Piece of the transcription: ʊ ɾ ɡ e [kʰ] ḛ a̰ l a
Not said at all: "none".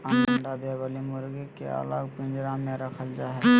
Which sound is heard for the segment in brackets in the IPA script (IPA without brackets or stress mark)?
k